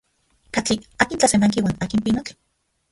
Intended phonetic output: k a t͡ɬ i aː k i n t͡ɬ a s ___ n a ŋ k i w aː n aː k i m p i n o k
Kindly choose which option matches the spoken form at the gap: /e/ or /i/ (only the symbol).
e